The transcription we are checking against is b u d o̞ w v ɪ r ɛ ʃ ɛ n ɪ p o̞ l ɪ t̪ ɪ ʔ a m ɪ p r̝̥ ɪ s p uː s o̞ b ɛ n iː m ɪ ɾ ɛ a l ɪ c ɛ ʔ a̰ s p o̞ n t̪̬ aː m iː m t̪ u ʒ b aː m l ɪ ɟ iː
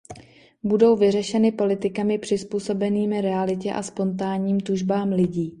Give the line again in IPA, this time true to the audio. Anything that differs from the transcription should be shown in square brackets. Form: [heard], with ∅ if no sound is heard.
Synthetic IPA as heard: b u d o̞ w v ɪ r ɛ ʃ ɛ n ɪ p o̞ l ɪ t̪ ɪ [k] a m ɪ p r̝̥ ɪ s p uː s o̞ b ɛ n iː m ɪ ɾ ɛ a l ɪ c ɛ ʔ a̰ s p o̞ n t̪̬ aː [ɲ] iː m t̪ u ʒ b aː m l ɪ ɟ iː